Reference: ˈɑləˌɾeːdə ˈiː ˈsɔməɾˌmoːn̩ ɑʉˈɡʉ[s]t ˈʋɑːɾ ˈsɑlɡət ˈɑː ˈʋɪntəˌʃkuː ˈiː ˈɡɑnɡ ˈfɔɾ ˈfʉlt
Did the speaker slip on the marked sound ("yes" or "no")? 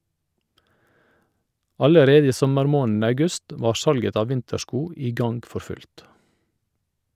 no